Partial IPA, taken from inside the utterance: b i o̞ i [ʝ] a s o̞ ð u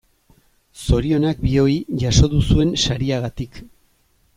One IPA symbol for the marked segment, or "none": ʝ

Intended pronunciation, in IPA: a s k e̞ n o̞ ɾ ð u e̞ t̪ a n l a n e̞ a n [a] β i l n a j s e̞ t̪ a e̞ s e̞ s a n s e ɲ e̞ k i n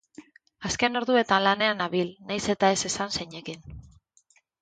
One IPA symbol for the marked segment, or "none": a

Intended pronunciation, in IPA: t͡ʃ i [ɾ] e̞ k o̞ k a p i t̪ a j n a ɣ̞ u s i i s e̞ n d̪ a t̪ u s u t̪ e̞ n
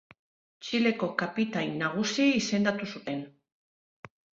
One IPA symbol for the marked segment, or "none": l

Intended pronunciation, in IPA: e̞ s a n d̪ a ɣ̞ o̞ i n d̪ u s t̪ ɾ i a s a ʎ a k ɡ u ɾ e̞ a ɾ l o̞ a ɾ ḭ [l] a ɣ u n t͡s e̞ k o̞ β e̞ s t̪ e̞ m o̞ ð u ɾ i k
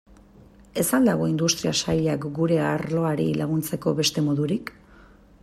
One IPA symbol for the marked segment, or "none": l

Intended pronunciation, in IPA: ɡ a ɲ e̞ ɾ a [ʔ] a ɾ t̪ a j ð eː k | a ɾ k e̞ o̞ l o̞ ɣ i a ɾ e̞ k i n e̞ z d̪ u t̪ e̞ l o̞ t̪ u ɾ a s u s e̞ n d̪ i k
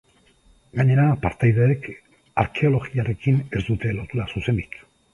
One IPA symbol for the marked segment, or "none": p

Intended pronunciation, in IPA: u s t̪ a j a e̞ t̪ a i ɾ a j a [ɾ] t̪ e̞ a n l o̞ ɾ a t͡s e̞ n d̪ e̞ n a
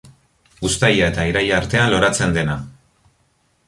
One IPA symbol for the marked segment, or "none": ɾ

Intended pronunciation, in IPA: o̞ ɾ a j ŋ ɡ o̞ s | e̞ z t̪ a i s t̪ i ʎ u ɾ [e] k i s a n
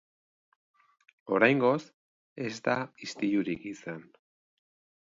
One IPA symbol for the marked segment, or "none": i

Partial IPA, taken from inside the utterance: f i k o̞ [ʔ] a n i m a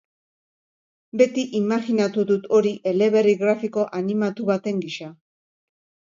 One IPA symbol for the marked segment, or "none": ʔ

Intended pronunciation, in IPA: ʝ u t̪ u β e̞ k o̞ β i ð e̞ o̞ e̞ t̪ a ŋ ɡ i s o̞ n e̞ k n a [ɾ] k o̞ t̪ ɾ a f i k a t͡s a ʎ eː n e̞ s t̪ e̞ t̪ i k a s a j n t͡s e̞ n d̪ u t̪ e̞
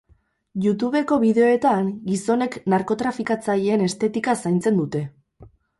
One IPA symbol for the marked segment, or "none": ɾ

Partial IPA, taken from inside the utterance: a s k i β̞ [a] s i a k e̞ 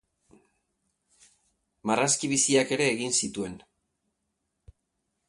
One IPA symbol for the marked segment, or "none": i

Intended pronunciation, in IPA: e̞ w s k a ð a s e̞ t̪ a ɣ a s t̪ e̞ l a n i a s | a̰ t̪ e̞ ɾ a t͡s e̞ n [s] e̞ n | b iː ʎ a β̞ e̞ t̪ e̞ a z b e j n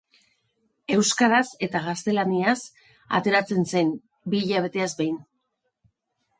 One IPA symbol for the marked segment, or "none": s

